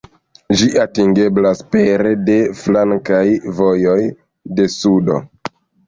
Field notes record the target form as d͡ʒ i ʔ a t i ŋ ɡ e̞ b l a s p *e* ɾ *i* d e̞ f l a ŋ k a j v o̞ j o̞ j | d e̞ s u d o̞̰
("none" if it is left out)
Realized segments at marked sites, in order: e, e

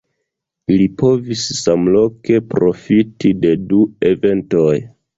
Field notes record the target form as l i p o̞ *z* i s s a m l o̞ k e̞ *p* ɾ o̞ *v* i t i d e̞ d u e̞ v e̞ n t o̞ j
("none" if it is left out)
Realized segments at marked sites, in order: v, p, f

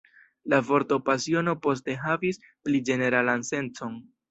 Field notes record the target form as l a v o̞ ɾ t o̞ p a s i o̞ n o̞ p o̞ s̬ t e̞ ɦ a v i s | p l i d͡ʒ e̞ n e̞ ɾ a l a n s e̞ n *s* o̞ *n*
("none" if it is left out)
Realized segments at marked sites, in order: t͡s, n

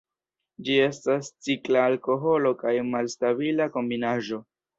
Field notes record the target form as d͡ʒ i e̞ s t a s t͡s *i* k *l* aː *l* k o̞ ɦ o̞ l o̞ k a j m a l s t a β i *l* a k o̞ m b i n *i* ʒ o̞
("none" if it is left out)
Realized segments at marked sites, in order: i, l, l, l, a

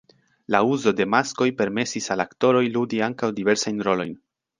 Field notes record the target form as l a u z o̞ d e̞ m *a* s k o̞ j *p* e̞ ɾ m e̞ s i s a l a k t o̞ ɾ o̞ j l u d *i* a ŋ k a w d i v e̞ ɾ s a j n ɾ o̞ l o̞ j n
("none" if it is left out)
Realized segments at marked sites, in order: a, p, i

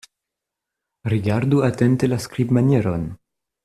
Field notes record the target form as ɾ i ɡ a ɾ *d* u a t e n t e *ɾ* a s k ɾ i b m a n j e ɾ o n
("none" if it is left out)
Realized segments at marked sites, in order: d, l

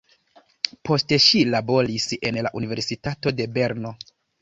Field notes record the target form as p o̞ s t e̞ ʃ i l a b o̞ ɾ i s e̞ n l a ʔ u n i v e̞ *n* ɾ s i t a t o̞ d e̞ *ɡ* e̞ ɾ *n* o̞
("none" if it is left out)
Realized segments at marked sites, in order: none, b, n

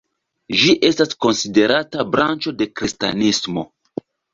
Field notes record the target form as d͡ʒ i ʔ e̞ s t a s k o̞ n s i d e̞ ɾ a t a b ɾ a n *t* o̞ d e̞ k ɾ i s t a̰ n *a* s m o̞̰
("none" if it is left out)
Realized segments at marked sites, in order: t͡ʃ, i

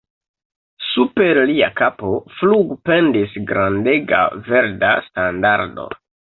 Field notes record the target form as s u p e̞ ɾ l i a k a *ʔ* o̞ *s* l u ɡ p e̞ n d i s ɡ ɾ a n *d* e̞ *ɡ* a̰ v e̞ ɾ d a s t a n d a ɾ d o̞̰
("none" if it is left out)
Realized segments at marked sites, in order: p, f, d, ɡ

